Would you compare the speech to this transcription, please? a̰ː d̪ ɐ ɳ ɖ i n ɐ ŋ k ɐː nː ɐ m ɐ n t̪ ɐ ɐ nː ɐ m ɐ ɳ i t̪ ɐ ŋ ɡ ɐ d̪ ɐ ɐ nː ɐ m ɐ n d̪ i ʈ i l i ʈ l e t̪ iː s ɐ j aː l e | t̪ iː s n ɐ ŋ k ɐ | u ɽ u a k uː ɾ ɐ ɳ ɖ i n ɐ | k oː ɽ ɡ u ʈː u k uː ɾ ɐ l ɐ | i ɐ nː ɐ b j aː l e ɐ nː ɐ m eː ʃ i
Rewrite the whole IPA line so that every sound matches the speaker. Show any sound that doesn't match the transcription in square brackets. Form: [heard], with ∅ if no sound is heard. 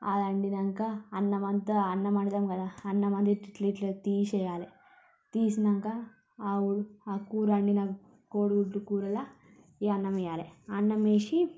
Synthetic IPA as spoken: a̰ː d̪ ɐ ɳ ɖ i n ɐ ŋ k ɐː nː ɐ m ɐ n t̪ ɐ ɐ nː ɐ m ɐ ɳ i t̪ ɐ [m] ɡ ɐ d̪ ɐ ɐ nː ɐ m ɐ n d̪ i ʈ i l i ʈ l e t̪ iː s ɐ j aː l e | t̪ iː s n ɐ ŋ k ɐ | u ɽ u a k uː ɾ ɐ ɳ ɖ i n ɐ | k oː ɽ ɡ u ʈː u k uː ɾ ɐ l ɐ | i ɐ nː ɐ [m] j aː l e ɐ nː ɐ m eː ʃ i